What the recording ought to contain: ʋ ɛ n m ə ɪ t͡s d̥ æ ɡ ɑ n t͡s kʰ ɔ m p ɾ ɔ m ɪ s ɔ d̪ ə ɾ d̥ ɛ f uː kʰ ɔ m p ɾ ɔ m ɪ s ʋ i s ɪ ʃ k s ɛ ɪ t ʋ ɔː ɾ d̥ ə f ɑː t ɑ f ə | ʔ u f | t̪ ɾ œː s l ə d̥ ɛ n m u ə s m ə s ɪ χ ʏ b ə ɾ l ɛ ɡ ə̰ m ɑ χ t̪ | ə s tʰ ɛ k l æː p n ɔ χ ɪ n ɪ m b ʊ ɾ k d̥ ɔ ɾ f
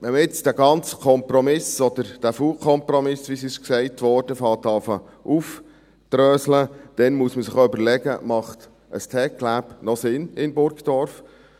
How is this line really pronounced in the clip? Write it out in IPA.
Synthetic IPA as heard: ʋ ɛ n m ə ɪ t͡s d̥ æ ɡ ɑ n t͡s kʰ ɔ m p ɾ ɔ m ɪ s ɔ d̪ ə ɾ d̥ æ f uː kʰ ɔ m p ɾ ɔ m ɪ s ʋ i s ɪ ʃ k s ɛ ɪ t ʋ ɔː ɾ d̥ ə f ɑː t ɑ f ə | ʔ u f | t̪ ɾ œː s l ə d̥ ɛ n m u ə s m ə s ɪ χ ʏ b ə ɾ l ɛ ɡ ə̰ m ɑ χ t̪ | ə s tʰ ɛ k l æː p n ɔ s ɪ n ɪ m b ʊ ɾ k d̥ ɔ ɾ f